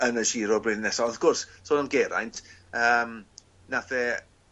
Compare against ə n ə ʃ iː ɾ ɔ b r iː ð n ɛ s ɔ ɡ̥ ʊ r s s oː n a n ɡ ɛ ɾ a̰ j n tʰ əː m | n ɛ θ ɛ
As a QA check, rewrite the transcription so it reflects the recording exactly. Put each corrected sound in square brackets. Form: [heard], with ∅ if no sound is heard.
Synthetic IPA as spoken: ə n ə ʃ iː ɾ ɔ b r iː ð n ɛ s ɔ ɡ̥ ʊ r s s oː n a n ɡ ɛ ɾ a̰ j n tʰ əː m | n [a] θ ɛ